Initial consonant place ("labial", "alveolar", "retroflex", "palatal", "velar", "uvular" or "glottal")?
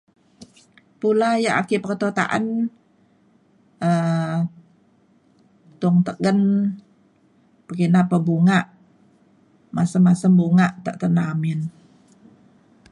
labial